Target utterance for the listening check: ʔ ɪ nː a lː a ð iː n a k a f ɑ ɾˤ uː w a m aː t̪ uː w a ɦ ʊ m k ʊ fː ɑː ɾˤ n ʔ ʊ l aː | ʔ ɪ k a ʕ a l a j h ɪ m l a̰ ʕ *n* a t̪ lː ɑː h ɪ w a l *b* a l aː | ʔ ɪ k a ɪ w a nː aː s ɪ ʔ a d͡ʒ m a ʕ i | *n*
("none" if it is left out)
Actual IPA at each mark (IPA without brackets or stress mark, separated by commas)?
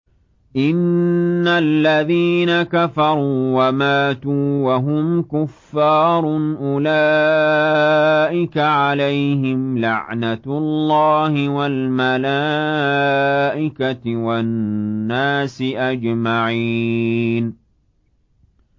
n, m, n